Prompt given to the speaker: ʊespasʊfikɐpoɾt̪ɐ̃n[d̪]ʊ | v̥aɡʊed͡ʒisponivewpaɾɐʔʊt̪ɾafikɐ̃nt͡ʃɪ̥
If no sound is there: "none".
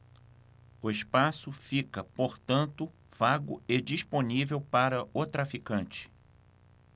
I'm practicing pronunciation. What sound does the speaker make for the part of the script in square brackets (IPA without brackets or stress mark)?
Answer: t̪